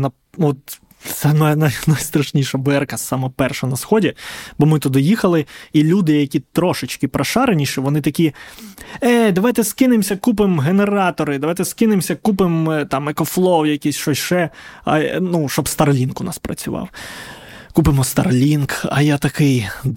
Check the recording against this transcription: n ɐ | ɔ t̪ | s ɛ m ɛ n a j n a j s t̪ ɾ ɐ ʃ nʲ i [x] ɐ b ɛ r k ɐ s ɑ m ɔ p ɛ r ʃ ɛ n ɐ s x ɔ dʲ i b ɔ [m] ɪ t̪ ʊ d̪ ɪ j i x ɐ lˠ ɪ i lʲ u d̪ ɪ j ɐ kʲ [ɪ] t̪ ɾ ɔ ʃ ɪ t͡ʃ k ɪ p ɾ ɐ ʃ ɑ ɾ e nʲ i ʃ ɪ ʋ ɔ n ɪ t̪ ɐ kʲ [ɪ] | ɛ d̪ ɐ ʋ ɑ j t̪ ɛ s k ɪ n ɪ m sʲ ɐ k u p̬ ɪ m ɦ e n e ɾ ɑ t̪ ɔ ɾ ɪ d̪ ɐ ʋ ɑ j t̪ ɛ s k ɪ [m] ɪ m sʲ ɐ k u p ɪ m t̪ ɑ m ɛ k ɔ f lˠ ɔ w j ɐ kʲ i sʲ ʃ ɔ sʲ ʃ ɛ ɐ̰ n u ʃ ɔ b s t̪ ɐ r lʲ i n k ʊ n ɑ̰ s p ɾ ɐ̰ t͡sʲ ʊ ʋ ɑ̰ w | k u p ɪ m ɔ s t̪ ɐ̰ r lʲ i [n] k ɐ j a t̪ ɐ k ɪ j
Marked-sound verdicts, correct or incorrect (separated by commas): incorrect, correct, incorrect, incorrect, incorrect, correct